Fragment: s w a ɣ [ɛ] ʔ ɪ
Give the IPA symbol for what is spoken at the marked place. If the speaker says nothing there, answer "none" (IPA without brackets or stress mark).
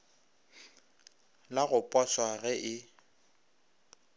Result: ɛ